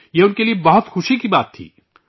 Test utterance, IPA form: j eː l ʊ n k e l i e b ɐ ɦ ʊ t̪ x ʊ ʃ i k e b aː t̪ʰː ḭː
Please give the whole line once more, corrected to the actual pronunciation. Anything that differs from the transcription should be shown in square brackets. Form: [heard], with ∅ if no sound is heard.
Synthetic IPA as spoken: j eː [∅] ʊ n k e l i e b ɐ ɦ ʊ t̪ x ʊ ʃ i k [i] b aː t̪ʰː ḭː